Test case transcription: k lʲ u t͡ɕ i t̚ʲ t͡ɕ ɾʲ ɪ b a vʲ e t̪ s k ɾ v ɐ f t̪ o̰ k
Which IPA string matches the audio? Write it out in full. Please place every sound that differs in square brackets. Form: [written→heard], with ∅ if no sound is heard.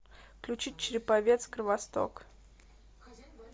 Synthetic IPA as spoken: k lʲ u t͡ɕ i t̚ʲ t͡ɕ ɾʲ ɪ [b→p] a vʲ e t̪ s k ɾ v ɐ [f→s] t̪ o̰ k